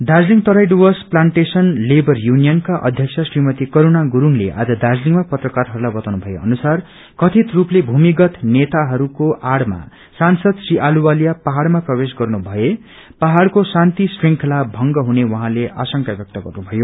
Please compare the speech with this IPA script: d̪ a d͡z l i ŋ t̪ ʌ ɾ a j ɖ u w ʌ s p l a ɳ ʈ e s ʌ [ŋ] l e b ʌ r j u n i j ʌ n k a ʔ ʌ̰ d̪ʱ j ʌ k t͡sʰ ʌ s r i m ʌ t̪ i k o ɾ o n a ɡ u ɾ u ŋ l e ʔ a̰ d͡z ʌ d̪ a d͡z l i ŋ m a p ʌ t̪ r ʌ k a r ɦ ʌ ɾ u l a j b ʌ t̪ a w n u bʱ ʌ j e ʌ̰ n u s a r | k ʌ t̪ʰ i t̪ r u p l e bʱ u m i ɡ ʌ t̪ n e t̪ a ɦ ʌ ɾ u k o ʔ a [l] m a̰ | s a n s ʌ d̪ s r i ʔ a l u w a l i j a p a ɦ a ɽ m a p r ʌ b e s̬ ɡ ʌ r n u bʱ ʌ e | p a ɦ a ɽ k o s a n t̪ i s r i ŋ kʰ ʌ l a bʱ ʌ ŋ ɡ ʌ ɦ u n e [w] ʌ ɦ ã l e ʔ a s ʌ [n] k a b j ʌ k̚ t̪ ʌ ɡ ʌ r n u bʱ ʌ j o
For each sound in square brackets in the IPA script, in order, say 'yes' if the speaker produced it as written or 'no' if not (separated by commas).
no, no, yes, no